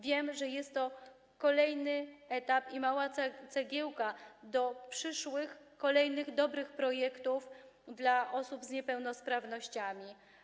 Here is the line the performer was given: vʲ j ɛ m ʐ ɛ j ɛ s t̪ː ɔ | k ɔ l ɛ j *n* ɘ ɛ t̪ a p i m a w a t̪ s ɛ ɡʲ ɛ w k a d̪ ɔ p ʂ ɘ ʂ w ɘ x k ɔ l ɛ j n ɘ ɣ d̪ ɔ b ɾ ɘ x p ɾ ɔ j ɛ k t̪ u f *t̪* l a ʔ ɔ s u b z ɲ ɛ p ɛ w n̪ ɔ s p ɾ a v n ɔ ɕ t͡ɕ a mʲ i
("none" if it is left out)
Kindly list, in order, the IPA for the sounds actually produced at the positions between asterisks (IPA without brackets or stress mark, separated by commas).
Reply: n, d̪